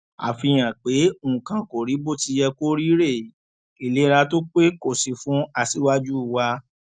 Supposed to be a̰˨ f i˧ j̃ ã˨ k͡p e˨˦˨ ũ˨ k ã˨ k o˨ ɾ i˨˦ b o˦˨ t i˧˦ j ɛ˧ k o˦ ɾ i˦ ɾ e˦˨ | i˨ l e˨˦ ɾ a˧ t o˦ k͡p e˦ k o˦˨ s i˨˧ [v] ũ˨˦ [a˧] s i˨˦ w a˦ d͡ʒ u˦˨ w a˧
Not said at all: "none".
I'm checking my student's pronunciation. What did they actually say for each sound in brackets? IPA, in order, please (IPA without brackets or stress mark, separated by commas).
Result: f, a˧